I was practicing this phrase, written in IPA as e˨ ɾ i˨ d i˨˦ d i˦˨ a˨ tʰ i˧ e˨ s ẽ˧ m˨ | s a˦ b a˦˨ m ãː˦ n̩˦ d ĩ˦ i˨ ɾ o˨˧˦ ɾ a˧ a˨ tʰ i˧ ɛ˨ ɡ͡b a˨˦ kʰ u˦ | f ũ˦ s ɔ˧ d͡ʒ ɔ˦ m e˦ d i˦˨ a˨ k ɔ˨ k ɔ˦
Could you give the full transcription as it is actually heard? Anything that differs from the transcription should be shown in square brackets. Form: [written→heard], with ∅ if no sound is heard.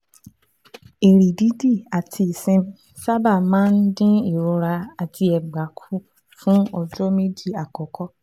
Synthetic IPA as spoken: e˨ ɾ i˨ d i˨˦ d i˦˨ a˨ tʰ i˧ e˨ s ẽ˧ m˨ | s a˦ b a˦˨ m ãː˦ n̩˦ d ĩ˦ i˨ ɾ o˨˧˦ ɾ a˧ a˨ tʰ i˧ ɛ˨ ɡ͡b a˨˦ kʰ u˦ | f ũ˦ [s→∅] ɔ˧ d͡ʒ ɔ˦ m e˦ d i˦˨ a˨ k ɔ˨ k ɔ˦